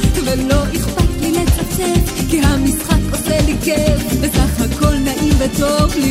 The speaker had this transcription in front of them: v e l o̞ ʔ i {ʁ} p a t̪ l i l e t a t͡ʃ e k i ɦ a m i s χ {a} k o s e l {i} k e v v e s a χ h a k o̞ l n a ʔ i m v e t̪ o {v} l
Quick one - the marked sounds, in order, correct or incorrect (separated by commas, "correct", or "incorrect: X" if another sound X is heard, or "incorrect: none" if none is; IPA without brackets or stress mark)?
incorrect: χ, correct, correct, correct